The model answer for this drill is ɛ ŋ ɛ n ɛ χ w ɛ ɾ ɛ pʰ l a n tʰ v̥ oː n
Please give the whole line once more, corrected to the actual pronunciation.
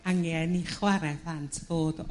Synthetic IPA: a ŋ ɛ n i χ w a ɾ ɛ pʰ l a n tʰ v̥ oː d